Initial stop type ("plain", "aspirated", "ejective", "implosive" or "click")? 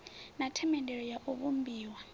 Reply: aspirated